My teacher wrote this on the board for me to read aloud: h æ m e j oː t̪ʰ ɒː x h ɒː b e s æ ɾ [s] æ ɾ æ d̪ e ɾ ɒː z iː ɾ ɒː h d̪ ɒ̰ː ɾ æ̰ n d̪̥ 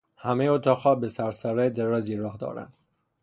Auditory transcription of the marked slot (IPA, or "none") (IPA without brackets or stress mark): s